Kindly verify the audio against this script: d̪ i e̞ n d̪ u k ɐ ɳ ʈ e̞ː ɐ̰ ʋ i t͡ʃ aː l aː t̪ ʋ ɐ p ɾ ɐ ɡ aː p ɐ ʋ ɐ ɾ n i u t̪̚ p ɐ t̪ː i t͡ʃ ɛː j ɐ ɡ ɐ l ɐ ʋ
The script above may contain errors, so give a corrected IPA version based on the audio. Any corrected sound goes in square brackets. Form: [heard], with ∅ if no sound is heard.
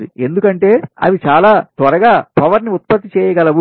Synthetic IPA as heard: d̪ i e̞ n d̪ u k ɐ ɳ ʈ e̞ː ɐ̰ ʋ i t͡ʃ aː l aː t̪ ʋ ɐ [∅] ɾ ɐ ɡ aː p ɐ ʋ ɐ ɾ n i u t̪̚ p ɐ t̪ː i t͡ʃ ɛː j ɐ ɡ ɐ l ɐ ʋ